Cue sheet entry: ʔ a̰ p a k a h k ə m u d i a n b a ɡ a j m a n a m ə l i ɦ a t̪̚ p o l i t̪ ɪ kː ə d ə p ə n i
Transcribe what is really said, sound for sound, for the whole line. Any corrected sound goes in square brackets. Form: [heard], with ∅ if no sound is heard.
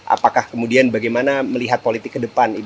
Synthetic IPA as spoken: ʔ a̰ p a k a h k ə m u d i a n b a ɡ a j m a n a m ə l i ɦ a t̪̚ p o l i t̪ ɪ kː ə d ə p [a] n i